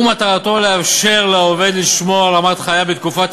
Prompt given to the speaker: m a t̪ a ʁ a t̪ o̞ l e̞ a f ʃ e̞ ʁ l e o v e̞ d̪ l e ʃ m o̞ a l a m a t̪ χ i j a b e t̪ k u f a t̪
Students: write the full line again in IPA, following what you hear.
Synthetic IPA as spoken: m a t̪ a ʁ a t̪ o̞ l e̞ a f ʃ e̞ ʁ l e o v e̞ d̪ l i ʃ m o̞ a l a m a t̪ χ a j a b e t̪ k u f a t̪